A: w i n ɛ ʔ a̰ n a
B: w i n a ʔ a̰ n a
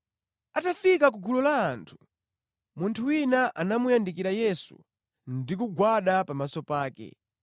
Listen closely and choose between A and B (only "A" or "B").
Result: B